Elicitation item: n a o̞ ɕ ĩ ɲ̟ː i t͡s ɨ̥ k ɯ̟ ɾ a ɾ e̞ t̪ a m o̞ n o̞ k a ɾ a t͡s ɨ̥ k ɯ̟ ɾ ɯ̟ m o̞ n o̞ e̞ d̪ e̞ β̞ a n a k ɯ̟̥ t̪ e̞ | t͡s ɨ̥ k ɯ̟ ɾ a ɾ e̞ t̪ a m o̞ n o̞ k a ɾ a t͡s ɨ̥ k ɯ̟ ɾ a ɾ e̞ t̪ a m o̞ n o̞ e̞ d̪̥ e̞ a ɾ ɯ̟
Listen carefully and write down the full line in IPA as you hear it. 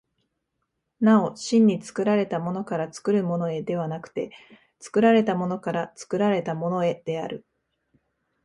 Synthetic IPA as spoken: n a o̞ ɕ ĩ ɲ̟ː i t͡s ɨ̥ k ɯ̟ ɾ a ɾ e̞ t̪ a m o̞ n o̞ k a ɾ a t͡s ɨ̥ k ɯ̟ ɾ ɯ̟ m o̞ n o̞ e̞ d̪ e̞ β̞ a n a k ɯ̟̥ t̪ e̞ | t͡s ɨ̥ k ɯ̟ ɾ a ɾ e̞ t̪ a m o̞ n o̞ k a ɾ a t͡s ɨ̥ k ɯ̟ ɾ a ɾ e̞ t̪ a m o̞ n o̞ e̞ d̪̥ e̞ a ɾ ɯ̟